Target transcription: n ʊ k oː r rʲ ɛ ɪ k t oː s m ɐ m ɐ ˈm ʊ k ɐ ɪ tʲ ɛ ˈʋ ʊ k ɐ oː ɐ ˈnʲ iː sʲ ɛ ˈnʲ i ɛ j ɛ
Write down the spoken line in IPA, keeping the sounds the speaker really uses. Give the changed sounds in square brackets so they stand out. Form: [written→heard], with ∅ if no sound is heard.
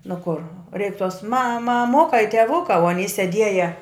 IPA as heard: n ʊ k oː r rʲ ɛ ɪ k t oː s m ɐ m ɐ ˈm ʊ k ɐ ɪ tʲ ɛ ˈʋ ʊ k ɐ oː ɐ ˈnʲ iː sʲ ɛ [ˈnʲ→ˈdʲ] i ɛ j ɛ